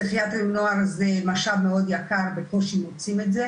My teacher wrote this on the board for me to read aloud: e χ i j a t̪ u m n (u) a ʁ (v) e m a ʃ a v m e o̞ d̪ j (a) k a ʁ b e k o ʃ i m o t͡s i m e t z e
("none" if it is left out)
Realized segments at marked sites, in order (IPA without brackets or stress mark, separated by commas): o, z, a